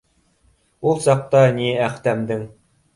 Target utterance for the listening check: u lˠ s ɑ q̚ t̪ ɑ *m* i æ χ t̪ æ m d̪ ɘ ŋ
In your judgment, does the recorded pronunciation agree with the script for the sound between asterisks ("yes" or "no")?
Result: no